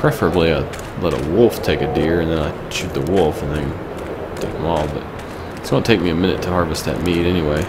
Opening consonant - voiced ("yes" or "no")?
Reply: no